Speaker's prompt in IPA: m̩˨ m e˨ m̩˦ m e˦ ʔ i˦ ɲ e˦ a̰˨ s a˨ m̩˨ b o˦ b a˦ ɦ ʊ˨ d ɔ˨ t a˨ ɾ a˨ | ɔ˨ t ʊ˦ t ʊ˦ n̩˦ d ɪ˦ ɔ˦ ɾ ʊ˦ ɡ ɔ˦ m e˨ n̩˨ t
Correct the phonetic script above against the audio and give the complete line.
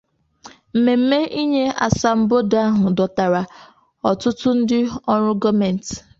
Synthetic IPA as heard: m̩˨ m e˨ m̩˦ m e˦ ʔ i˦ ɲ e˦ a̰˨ s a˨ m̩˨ b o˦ d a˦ ɦ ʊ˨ d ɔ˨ t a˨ ɾ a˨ | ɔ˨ t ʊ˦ t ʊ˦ n̩˦ d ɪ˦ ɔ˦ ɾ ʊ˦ ɡ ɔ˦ m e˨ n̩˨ t